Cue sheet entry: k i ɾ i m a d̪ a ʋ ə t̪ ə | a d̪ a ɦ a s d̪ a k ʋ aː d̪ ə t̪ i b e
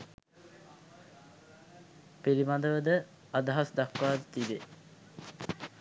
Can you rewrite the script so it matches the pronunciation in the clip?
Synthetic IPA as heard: p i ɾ i m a d̪ ə ʋ ə d̪ ə | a d̪ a ɦ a s d̪ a k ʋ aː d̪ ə t̪ i b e